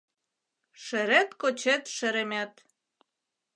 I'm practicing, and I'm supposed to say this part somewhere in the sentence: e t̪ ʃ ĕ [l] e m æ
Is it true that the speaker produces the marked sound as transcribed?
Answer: no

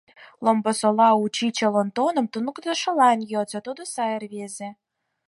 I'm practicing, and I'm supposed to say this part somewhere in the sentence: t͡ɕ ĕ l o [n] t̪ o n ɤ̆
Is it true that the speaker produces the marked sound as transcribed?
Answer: yes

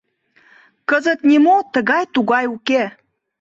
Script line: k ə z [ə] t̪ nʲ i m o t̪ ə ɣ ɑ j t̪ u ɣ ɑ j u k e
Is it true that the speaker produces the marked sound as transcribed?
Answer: yes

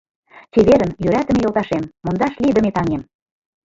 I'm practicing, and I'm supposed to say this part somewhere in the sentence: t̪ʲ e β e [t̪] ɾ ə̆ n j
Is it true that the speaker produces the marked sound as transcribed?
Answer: no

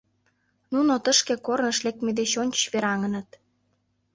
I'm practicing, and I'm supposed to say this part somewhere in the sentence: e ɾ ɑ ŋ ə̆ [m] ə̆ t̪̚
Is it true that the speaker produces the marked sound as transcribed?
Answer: no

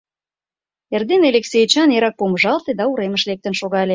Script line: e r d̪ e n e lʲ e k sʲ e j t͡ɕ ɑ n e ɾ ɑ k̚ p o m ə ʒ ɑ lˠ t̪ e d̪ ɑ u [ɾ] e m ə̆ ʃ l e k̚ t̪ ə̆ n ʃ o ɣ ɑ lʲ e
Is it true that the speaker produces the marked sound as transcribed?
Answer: yes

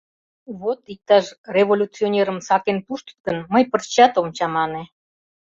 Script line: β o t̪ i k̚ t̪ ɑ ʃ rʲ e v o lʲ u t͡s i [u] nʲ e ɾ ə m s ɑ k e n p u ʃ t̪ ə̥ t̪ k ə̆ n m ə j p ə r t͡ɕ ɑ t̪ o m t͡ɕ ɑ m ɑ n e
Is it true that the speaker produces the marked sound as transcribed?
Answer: no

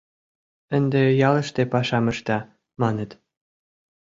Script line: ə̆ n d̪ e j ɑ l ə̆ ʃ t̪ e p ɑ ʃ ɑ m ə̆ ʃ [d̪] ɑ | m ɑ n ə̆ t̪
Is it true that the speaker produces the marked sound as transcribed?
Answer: no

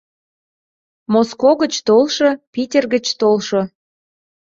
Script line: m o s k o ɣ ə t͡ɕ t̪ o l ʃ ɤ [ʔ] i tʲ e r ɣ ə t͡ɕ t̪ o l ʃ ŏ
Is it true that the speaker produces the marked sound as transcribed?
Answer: no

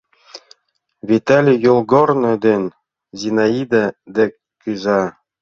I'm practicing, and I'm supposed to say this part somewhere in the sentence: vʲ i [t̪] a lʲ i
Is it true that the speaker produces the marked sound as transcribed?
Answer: yes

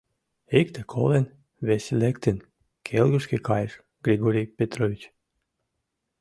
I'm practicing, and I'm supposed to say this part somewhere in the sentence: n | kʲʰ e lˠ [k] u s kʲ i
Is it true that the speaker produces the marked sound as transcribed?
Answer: no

